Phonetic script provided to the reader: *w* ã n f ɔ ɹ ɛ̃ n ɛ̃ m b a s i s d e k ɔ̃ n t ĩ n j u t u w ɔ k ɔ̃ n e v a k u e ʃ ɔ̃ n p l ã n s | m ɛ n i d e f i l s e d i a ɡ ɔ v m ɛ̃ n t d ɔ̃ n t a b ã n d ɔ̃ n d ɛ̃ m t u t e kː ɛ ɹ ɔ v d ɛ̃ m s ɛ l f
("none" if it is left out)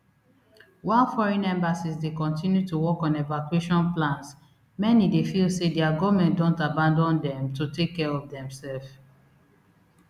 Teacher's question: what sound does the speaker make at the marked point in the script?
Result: w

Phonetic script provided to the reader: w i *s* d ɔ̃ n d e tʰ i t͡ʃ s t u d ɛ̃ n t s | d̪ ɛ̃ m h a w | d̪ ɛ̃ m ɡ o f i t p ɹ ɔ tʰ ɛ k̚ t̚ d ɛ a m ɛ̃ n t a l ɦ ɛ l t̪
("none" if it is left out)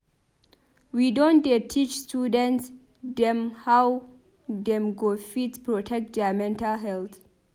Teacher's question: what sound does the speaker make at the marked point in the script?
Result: none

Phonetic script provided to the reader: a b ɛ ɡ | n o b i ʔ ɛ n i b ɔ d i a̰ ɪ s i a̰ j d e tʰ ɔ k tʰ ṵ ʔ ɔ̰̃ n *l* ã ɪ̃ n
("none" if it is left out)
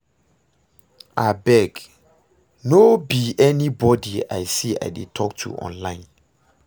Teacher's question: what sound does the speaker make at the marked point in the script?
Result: l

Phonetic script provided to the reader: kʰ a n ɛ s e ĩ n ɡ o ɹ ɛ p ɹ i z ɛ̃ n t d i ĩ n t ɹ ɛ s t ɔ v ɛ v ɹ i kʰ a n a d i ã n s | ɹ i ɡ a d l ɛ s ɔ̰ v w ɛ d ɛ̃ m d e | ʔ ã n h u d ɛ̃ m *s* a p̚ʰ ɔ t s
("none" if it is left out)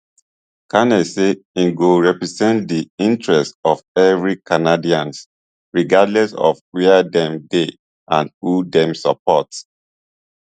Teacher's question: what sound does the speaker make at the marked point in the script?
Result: s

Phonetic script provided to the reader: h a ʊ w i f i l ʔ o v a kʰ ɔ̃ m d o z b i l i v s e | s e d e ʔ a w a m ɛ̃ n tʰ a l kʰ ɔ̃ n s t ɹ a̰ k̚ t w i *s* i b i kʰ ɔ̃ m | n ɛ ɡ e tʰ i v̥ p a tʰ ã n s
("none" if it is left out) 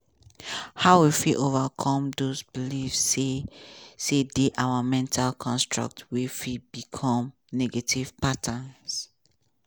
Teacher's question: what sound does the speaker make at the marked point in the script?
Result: f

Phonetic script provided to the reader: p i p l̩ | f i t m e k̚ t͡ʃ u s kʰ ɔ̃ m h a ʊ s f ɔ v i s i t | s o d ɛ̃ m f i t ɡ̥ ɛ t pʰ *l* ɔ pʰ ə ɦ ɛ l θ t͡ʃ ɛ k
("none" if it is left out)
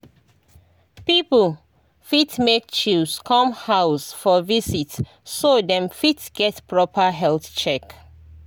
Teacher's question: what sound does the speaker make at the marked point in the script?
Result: ɹ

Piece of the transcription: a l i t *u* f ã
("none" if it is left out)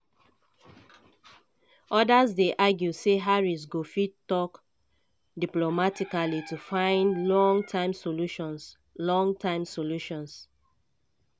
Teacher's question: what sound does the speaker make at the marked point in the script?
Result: u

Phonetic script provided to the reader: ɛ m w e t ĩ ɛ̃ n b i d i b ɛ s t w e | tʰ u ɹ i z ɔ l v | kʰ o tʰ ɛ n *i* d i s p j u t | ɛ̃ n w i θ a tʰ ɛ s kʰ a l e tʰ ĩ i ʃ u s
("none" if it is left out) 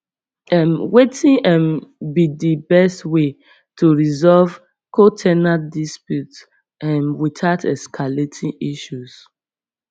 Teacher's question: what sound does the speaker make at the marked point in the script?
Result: a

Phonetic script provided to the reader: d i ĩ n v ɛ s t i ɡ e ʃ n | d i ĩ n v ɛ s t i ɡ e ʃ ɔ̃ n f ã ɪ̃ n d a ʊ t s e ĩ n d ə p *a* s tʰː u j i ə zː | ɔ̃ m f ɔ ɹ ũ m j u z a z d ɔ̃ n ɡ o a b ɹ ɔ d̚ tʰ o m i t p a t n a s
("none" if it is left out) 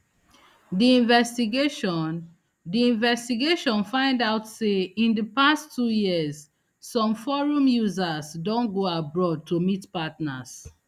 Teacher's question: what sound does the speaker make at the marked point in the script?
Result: a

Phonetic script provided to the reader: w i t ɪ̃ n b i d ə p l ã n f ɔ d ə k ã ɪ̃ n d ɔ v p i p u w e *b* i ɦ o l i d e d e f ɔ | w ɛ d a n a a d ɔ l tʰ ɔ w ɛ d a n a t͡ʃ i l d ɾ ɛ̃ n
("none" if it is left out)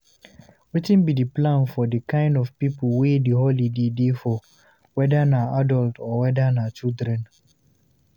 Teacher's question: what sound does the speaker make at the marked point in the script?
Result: d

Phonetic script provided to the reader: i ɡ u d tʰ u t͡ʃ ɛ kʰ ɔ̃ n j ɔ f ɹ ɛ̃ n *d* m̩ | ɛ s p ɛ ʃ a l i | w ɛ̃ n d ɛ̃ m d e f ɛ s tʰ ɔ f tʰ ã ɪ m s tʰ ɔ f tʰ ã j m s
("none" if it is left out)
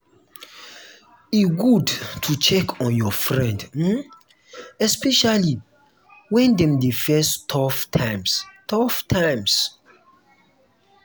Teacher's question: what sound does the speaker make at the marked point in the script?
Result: d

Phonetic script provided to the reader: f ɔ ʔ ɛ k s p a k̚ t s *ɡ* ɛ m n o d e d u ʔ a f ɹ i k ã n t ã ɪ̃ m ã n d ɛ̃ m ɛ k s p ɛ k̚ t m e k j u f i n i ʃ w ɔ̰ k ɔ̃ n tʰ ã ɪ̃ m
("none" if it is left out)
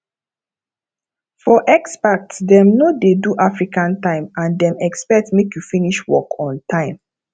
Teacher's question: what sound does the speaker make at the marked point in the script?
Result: d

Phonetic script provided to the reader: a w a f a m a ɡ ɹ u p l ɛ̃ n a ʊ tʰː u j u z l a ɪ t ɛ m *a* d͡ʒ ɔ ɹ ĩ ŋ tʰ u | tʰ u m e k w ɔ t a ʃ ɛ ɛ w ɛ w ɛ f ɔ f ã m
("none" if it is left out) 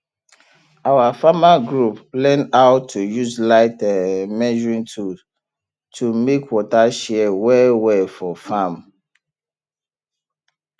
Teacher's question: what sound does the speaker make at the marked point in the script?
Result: ɛ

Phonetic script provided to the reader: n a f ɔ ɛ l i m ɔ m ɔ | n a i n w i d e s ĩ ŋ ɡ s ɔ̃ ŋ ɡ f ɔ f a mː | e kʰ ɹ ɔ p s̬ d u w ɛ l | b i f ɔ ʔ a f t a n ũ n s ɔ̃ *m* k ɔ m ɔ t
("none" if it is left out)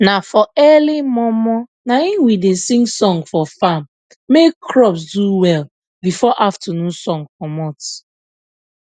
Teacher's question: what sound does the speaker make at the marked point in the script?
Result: ŋ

